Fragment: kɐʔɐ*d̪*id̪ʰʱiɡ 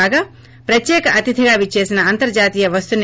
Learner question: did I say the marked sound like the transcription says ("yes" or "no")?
no